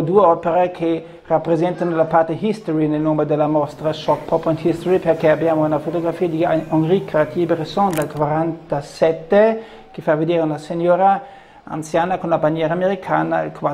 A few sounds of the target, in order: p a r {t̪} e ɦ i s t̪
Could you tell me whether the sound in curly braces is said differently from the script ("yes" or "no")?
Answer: no